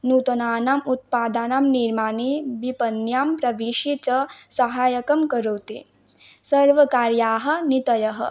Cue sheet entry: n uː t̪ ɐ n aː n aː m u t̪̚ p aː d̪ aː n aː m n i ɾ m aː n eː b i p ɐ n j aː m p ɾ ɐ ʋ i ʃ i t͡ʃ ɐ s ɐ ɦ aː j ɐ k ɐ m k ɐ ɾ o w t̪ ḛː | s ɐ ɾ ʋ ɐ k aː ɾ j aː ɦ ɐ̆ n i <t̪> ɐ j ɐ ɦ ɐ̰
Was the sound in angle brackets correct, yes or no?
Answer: yes